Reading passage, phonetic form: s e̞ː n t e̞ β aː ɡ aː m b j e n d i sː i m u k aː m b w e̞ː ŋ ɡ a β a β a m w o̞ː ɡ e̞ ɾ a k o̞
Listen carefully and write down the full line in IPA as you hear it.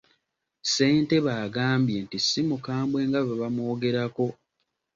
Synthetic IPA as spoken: s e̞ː n t e̞ β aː ɡ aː m b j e n t i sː i m u k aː m b w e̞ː ŋ ɡ a β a β a m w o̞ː ɡ e̞ ɾ a k o̞